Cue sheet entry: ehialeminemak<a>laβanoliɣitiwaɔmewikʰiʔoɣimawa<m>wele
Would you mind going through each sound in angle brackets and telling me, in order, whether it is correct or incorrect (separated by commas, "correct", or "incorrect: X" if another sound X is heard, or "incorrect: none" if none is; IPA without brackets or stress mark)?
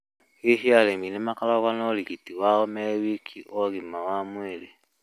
correct, correct